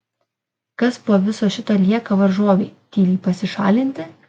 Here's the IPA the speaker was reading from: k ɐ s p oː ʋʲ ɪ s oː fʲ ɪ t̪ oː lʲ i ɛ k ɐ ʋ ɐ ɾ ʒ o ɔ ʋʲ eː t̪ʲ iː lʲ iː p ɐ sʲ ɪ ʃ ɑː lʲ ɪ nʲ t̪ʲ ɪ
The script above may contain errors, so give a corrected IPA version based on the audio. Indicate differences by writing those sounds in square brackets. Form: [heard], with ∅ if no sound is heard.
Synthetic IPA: k ɐ s p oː ʋʲ ɪ s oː [ʃʲ] ɪ t̪ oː lʲ i ɛ k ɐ ʋ ɐ ɾ ʒ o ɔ ʋʲ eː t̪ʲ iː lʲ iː p ɐ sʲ ɪ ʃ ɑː lʲ ɪ nʲ t̪ʲ ɪ